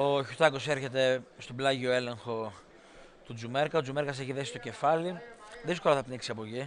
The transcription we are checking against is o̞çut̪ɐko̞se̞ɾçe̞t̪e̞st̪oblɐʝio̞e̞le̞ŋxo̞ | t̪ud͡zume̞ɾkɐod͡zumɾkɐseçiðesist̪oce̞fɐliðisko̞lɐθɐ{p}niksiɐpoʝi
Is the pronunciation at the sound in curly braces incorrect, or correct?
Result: correct